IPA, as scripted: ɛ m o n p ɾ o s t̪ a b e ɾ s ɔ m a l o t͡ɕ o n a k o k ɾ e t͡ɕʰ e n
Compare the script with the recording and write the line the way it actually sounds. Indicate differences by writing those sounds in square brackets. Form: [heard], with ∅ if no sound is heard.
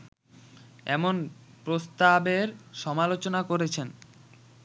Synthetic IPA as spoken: ɛ m o n p ɾ o s t̪ a b e ɾ [ʃ] ɔ m a l o t͡ɕ o n a k o [∅] ɾ e t͡ɕʰ e n